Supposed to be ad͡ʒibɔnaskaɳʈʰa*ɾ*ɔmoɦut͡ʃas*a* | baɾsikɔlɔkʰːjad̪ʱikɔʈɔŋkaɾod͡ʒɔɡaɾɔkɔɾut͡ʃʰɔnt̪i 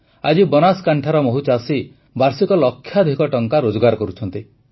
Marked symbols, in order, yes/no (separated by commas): yes, no